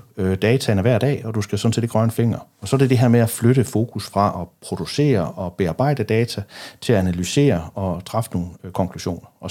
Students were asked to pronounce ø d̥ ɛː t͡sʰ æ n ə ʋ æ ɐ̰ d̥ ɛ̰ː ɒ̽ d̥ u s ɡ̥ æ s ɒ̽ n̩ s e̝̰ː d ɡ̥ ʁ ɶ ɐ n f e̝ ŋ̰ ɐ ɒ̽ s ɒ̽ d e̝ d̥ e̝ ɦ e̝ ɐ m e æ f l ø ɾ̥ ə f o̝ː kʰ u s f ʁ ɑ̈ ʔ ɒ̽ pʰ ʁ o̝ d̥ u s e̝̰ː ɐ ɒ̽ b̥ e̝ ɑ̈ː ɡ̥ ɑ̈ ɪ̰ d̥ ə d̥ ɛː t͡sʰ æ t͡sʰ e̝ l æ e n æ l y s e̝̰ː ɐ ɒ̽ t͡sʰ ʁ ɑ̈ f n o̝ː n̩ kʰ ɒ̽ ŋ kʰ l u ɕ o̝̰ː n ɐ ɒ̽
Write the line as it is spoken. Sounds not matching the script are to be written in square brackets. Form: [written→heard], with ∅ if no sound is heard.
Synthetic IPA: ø d̥ ɛː t͡sʰ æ n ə ʋ æ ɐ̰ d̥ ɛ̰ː ɒ̽ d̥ u s ɡ̥ æ s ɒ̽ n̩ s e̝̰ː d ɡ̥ ʁ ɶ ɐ n f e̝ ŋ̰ ɐ ɒ̽ s ɒ̽ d e̝ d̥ e̝ ɦ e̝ ɐ m e æ f l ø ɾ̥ ə f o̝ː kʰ u s f ʁ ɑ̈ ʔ ɒ̽ pʰ ʁ o̝ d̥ u s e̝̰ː ɐ ɒ̽ b̥ e̝ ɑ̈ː [ɡ̥→b̥] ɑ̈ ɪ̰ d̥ ə d̥ ɛː t͡sʰ æ t͡sʰ e̝ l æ [e→æ] n æ l y s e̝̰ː ɐ ɒ̽ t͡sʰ ʁ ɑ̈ f n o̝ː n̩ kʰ ɒ̽ ŋ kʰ l u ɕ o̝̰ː n ɐ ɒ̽